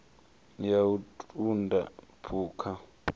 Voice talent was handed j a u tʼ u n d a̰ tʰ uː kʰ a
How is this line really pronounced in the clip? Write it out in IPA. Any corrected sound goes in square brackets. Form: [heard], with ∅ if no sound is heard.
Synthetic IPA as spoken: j a u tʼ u n d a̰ [pʰ] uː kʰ a